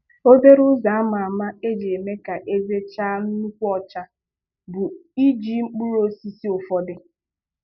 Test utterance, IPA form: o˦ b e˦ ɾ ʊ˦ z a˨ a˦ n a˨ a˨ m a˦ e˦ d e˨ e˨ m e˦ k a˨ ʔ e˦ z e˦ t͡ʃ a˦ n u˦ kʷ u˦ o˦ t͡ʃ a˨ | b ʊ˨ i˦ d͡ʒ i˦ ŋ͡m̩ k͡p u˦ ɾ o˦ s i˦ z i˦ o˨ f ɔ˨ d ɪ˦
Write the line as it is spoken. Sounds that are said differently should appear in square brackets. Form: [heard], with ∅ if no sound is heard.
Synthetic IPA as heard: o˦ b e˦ ɾ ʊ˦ z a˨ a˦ [m] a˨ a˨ m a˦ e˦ [d͡ʒ] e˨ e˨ m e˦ k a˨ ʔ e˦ z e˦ t͡ʃ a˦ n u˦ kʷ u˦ [ɔ˦] t͡ʃ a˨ | b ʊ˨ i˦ d͡ʒ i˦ ŋ͡m̩ k͡p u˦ ɾ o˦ s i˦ [s] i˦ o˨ f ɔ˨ d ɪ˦

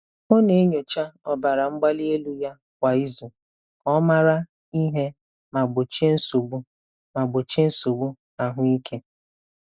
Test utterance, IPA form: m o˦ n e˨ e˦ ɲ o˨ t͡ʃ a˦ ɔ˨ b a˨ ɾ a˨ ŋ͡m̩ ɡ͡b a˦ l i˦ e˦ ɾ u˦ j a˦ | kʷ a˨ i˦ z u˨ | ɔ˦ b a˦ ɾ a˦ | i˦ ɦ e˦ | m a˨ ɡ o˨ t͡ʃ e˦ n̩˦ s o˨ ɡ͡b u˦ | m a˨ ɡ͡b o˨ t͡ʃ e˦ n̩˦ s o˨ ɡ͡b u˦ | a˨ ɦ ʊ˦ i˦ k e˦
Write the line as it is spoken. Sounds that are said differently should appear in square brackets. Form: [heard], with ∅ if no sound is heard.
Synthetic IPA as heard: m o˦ n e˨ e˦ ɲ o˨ t͡ʃ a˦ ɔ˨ b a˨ ɾ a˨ ŋ͡m̩ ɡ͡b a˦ l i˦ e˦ [l] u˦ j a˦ | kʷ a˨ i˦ z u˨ | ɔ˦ [m] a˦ ɾ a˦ | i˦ ɦ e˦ | m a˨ [ɡ͡b] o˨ t͡ʃ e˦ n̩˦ s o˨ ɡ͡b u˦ | m a˨ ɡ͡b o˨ t͡ʃ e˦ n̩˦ s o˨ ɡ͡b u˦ | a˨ ɦ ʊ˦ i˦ k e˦

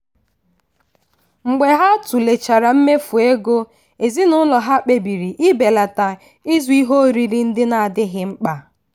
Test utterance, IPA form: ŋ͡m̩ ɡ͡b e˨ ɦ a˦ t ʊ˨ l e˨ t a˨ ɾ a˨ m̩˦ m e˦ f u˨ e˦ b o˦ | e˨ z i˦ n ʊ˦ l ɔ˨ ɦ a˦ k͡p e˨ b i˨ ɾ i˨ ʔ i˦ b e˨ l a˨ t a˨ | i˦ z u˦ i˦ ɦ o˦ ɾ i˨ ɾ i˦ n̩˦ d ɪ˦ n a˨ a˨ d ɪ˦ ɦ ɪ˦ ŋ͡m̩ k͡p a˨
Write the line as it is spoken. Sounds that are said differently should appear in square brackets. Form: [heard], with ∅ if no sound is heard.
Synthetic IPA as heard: ŋ͡m̩ ɡ͡b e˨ ɦ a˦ t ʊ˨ l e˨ [t͡ʃ] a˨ ɾ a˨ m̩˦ m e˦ f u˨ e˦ [ɡ] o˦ | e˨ z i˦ n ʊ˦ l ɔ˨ ɦ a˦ k͡p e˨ b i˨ ɾ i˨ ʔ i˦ b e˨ l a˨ t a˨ | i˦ z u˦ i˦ ɦ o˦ ɾ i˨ ɾ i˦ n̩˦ d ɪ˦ n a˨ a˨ d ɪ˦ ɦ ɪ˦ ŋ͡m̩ k͡p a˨

